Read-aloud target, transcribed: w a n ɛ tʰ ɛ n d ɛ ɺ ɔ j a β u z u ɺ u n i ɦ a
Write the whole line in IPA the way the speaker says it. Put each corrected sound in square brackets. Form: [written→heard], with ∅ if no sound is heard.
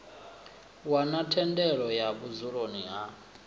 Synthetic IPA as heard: w a n [ɛ→a] tʰ ɛ n d ɛ ɺ ɔ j a β u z u ɺ [u→o] n i ɦ a

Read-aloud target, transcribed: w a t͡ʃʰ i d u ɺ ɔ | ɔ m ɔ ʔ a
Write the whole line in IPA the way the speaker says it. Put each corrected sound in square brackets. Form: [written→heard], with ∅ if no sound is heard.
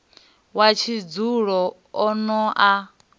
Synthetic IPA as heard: w a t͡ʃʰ i [d→d͡z] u ɺ ɔ | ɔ [m→n] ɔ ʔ a

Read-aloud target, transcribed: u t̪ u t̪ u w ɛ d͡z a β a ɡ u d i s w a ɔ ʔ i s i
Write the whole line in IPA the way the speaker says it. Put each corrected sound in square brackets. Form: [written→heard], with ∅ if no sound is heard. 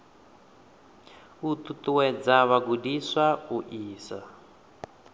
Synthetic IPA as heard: u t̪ u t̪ u w ɛ d͡z a β a ɡ u d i s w a [ɔ→u] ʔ [i→iː] s [i→a]

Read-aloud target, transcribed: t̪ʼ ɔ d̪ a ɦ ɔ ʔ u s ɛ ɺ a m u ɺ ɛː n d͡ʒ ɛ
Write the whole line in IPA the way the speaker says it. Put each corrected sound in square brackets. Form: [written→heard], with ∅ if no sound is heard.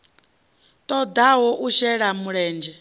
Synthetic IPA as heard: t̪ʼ ɔ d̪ a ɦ ɔ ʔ u [s→ʃ] ɛ ɺ a m u ɺ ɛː n d͡ʒ ɛ

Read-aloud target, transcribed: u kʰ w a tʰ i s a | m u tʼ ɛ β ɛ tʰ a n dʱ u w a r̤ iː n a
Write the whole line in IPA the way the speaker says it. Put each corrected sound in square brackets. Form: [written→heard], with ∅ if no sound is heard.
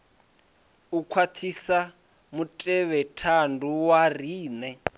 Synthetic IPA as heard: u kʰ w a tʰ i s a | m u tʼ ɛ β ɛ tʰ a n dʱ u w a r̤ iː n [a→ɛ]

